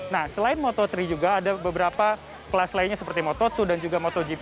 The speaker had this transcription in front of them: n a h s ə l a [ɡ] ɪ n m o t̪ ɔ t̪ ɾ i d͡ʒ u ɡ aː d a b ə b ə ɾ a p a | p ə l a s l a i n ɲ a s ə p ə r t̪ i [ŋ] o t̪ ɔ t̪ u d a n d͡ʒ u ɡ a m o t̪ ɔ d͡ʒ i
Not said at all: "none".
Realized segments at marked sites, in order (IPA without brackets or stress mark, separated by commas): none, m